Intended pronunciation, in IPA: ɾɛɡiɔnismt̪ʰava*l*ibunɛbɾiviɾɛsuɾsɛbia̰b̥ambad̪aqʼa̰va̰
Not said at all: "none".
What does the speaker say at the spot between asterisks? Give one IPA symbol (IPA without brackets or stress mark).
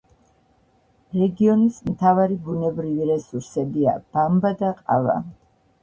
ɾ